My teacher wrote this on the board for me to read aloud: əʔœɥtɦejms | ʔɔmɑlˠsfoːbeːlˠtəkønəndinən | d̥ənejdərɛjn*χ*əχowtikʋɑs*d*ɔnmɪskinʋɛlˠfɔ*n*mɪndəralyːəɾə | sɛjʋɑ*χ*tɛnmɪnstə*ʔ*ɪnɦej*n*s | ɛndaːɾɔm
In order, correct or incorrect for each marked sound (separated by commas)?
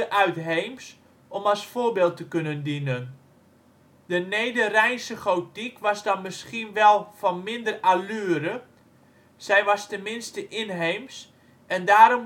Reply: incorrect, correct, correct, incorrect, correct, incorrect